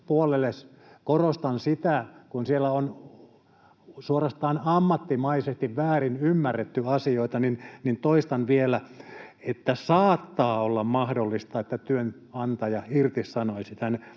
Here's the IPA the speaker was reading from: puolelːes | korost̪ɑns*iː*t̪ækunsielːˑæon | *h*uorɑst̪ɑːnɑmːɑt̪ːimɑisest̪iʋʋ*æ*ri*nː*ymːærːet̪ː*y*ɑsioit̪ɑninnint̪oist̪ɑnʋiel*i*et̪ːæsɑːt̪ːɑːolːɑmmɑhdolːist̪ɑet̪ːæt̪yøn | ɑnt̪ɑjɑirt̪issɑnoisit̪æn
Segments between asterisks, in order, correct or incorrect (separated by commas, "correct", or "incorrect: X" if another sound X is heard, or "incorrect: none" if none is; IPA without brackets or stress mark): incorrect: i, incorrect: s, incorrect: æː, incorrect: n, correct, incorrect: æ